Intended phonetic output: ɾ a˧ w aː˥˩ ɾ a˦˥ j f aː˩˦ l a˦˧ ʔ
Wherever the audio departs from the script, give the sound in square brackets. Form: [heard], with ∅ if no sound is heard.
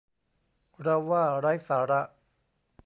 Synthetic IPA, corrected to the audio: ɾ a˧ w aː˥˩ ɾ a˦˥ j [s] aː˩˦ [ɾ] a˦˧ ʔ